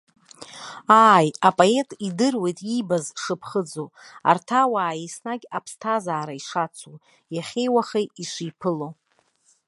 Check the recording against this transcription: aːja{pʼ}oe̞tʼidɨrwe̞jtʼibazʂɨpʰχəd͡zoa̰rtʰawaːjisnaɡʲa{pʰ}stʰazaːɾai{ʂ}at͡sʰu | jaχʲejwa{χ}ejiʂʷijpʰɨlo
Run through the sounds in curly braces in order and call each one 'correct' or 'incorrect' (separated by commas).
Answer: correct, correct, correct, correct